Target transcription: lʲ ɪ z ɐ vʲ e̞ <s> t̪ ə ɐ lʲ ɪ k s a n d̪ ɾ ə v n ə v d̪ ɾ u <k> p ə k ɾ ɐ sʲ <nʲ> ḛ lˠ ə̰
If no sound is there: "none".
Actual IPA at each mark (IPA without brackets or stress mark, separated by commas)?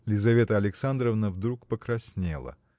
none, k, nʲ